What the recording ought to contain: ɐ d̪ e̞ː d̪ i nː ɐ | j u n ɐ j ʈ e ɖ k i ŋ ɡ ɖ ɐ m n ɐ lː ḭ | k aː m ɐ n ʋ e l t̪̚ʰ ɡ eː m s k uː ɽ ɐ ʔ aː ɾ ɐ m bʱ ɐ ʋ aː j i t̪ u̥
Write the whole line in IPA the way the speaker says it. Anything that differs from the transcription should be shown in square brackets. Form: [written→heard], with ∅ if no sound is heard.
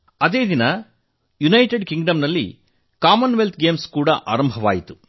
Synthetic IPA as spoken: ɐ d̪ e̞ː d̪ i [nː→n] ɐ | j u n ɐ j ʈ e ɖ k i ŋ ɡ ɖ ɐ m n ɐ lː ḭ | k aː m ɐ n ʋ e l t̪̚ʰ ɡ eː m s k uː ɽ ɐ ʔ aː ɾ ɐ m bʱ ɐ ʋ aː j i t̪ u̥

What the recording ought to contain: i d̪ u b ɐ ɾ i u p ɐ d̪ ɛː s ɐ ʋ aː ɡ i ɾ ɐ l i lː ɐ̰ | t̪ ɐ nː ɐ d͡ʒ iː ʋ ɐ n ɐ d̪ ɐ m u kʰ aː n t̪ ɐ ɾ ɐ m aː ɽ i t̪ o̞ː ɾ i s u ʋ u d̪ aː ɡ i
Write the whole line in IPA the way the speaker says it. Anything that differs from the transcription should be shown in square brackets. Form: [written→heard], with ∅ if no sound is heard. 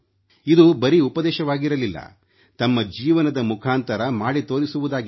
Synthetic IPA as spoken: i d̪ u b ɐ ɾ i u p ɐ d̪ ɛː [s→ʃ] ɐ ʋ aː ɡ i ɾ ɐ l i lː ɐ̰ | t̪ ɐ [nː→mː] ɐ d͡ʒ iː ʋ ɐ n ɐ d̪ ɐ m u kʰ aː n t̪ ɐ ɾ ɐ m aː ɽ i t̪ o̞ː ɾ i s u ʋ u d̪ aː ɡ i

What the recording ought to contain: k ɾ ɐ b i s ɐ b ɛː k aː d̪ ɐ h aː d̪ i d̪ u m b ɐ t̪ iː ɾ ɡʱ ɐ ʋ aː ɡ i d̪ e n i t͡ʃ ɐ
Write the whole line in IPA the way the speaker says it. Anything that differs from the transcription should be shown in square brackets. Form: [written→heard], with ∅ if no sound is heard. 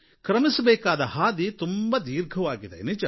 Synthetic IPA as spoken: k ɾ ɐ [b→m] i s ɐ b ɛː k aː d̪ ɐ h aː d̪ i [d̪→t̪] u m b ɐ [t̪→d̪] iː ɾ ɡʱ ɐ ʋ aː ɡ i d̪ e n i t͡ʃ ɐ

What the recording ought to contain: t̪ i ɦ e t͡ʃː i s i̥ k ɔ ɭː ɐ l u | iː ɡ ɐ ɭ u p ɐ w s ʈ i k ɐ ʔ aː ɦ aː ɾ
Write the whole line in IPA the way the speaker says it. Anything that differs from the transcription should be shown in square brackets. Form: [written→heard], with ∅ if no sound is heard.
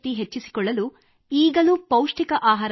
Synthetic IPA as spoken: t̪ i ɦ e t͡ʃː i s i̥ k ɔ ɭː ɐ l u | iː ɡ ɐ [ɭ→l] u p ɐ w [s→ʂ] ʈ i k ɐ ʔ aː ɦ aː ɾ

